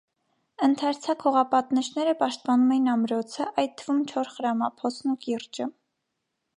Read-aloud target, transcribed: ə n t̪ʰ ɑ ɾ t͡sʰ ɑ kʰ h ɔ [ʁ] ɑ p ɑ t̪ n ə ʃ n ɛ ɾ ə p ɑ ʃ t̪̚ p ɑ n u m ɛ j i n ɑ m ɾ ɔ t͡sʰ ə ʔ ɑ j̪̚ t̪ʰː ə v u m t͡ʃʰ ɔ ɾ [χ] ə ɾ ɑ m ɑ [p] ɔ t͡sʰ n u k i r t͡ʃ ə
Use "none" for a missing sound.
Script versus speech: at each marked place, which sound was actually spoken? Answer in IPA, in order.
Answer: ʁ, χ, pʰ

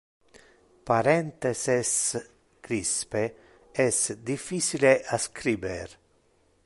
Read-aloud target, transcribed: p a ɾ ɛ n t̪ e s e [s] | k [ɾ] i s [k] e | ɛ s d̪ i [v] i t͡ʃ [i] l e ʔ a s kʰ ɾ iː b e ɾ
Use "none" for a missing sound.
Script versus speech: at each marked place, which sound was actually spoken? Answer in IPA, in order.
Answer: s, ɾ, p, f, i

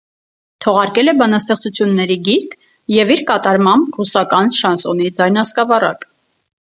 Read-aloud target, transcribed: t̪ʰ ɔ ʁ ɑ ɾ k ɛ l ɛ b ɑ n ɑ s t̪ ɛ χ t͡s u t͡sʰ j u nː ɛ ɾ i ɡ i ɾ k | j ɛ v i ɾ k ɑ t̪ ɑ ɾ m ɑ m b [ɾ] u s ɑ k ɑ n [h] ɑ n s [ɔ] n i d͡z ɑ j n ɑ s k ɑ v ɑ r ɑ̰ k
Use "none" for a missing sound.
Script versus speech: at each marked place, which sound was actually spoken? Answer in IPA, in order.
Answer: r, ʃ, ɔ

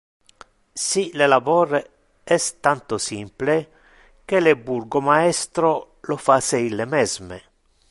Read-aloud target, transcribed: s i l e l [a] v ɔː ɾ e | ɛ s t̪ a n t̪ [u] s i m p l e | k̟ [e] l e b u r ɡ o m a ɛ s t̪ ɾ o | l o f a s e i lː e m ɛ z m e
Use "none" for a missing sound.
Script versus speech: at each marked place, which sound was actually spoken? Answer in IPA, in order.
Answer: a, o, e

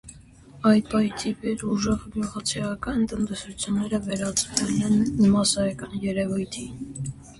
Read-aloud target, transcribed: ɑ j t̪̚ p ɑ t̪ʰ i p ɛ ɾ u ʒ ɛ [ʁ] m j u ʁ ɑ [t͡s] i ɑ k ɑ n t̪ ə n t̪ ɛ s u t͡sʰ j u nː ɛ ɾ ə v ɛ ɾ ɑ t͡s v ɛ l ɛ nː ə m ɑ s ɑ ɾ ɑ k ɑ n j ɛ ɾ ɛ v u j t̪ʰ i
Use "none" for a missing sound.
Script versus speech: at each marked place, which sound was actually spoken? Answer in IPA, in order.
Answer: ʁ, t͡sʰ

